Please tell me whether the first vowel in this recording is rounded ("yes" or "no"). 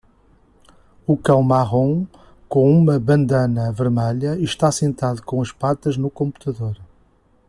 yes